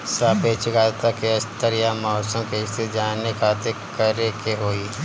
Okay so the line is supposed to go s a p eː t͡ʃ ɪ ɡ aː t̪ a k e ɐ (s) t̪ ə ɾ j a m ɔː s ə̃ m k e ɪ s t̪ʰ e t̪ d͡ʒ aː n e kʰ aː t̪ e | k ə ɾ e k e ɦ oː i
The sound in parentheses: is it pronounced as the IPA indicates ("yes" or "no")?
yes